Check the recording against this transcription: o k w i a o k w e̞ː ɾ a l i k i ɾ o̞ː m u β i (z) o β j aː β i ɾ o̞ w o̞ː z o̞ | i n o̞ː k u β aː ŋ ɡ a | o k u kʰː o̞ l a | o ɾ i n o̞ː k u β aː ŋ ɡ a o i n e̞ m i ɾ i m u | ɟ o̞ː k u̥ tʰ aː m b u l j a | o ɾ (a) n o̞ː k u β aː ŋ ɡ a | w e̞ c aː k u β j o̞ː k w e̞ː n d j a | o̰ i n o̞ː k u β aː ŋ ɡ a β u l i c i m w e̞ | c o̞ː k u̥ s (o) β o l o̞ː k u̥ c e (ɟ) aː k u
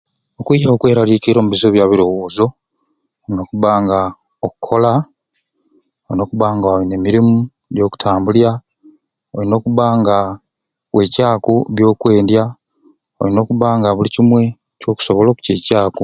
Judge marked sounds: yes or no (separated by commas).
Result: yes, no, yes, no